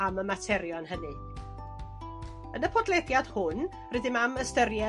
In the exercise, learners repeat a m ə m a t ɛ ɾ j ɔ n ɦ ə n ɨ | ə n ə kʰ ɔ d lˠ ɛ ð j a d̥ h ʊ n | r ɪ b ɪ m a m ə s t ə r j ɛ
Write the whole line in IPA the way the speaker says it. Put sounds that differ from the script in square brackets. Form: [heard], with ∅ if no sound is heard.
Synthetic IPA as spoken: a m ə m a [tʰ] ɛ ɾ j ɔ n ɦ ə n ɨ | ə n ə [pʰ] ɔ d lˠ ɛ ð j a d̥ h ʊ n | r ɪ [d] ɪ m a m ə s t ə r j ɛ